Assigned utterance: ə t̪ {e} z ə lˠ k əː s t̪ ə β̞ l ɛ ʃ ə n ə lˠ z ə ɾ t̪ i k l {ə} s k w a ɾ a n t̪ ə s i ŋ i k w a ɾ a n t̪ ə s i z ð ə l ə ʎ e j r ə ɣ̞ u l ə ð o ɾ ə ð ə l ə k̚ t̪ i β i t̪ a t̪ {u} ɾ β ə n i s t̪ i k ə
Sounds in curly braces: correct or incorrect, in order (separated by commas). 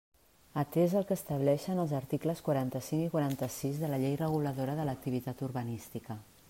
correct, correct, correct